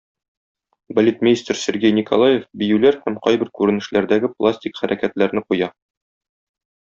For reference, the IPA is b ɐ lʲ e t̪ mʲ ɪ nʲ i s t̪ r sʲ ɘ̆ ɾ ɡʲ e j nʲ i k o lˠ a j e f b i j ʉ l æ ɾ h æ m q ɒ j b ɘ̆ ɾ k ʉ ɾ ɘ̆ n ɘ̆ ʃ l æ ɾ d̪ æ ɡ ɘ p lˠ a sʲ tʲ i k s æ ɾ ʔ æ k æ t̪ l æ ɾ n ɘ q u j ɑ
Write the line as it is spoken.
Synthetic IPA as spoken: b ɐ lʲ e t̪ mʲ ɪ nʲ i s t̪ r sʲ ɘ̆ ɾ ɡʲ e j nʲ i k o lˠ a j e f b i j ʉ l æ ɾ h æ m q ɒ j b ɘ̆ ɾ k ʉ ɾ ɘ̆ n ɘ̆ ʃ l æ ɾ d̪ æ ɡ ɘ p lˠ a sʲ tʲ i k χ æ ɾ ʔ æ k æ t̪ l æ ɾ n ɘ q u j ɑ